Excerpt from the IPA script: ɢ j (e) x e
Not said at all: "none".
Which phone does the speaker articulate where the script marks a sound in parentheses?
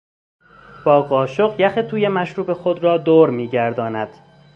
æ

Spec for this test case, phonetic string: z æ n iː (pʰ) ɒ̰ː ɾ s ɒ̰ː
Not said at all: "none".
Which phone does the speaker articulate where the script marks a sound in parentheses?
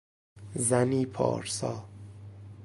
pʰ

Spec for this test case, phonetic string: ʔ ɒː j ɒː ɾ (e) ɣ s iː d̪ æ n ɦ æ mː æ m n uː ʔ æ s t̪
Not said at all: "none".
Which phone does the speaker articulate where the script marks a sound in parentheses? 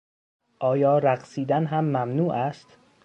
æ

